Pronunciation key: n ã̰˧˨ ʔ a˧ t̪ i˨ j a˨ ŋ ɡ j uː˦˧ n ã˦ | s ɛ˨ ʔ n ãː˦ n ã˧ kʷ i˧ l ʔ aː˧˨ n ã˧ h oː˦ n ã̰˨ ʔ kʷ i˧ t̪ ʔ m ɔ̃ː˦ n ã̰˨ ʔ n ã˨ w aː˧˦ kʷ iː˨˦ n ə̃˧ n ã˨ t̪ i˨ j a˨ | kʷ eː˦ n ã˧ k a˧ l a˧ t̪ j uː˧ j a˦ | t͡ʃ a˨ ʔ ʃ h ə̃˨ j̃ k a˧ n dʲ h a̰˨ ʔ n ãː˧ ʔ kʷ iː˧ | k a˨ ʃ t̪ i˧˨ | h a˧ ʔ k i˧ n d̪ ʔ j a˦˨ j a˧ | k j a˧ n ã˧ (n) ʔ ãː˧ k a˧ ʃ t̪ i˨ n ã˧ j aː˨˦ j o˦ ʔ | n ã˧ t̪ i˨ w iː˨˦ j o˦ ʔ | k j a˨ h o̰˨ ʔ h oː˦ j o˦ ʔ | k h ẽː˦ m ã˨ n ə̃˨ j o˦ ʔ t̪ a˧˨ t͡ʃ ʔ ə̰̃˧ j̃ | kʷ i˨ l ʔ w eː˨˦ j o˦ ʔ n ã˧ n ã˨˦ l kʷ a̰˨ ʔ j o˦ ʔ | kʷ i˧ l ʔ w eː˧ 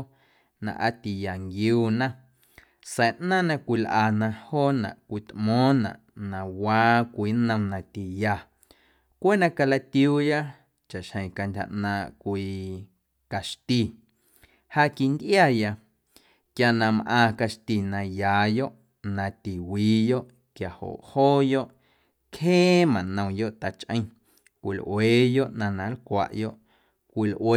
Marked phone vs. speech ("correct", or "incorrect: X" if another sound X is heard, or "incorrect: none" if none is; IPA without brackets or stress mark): incorrect: m